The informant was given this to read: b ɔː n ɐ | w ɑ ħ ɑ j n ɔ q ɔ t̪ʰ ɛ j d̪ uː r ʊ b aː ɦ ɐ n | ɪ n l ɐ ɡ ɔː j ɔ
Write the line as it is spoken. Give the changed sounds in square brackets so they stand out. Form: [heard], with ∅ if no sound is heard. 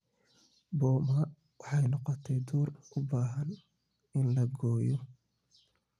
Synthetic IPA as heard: b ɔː [m] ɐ | w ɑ ħ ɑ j n ɔ q ɔ t̪ʰ ɛ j d̪ uː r ʊ b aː ɦ ɐ n | ɪ n l ɐ ɡ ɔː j ɔ